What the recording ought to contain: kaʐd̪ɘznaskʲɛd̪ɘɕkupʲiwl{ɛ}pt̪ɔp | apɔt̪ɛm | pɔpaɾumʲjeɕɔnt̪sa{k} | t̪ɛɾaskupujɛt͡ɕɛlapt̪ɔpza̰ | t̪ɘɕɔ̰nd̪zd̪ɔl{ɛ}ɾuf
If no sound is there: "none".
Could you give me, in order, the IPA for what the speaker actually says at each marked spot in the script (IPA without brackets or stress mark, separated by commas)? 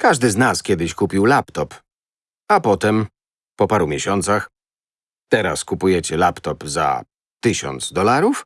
a, x, a